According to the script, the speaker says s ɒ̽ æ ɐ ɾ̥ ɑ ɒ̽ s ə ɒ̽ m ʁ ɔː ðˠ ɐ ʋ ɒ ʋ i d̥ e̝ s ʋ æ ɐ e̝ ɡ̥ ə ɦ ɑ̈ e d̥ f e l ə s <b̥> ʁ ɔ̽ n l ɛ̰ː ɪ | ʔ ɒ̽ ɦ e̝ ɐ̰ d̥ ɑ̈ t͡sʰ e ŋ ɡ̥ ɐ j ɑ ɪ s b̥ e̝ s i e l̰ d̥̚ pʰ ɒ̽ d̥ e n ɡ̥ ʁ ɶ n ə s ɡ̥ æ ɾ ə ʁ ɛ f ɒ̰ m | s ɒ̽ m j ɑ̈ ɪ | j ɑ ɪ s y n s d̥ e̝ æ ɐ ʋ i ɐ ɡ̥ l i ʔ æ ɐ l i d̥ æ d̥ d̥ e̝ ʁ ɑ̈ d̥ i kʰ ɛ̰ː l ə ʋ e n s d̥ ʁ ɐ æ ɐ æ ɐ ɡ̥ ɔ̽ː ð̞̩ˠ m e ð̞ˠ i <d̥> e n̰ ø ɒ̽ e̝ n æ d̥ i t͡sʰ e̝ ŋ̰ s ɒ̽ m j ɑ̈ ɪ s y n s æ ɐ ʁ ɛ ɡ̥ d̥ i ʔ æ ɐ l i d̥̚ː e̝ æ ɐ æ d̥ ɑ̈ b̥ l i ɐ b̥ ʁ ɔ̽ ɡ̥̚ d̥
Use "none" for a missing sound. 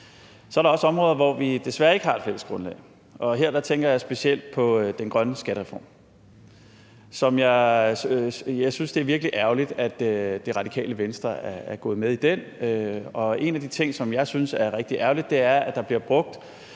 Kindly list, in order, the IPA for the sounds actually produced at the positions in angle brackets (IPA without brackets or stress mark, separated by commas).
ɡ̥, d̥